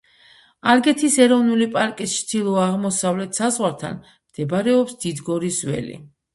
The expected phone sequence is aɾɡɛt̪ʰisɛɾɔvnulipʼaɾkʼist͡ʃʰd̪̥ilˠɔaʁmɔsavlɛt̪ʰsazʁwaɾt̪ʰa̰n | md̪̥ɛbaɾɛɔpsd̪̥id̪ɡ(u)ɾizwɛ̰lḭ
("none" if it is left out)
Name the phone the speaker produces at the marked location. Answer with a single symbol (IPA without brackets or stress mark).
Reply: ɔ